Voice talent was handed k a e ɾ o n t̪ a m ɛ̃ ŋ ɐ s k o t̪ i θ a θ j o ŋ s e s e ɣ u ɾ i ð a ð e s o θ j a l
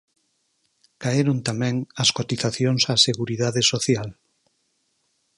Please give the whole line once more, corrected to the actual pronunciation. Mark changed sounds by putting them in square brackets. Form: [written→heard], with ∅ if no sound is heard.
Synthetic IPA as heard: k a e ɾ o n t̪ a m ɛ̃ ŋ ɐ s k o t̪ i θ a θ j o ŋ s [e→a] s e ɣ u ɾ i ð a ð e s o θ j a l